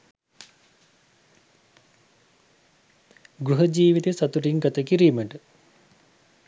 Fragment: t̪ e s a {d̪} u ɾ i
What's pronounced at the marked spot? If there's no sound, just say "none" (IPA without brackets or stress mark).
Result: t̪